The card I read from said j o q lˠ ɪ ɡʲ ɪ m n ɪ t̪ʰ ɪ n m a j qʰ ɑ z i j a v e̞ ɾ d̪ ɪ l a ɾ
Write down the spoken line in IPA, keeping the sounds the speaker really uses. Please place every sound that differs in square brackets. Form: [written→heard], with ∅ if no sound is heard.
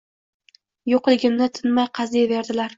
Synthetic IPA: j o q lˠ ɪ ɡʲ ɪ m n ɪ t̪ʰ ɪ n m a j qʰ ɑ z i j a v e̞ ɾ d̪ ɪ l a ɾ